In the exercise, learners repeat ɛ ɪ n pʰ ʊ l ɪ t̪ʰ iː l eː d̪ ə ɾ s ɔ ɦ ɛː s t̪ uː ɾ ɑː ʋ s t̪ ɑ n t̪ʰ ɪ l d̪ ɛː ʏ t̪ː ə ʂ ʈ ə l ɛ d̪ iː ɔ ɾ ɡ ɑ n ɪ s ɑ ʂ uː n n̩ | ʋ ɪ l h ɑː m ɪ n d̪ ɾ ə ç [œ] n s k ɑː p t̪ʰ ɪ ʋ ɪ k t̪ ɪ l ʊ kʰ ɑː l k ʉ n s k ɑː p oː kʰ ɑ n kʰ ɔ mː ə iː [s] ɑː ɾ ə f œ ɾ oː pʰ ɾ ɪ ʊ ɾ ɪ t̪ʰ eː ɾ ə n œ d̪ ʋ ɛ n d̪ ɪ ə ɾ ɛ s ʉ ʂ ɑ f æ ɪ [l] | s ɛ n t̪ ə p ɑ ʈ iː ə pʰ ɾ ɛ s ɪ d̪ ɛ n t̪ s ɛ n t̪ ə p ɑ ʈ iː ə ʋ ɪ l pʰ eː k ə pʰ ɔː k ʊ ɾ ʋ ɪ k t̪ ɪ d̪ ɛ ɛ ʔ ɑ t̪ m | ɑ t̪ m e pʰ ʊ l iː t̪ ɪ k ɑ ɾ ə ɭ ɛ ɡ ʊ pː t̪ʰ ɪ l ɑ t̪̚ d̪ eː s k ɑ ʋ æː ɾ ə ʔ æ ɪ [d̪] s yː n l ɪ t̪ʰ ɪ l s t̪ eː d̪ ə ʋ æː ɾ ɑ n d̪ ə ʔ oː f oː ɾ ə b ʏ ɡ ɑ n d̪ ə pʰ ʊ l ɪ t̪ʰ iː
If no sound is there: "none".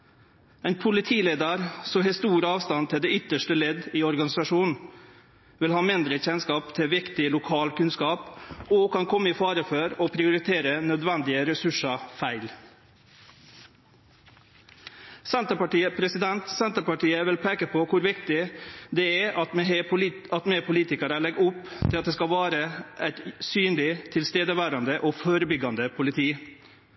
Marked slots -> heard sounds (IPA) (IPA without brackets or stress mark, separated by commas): ɛ, f, l, t̪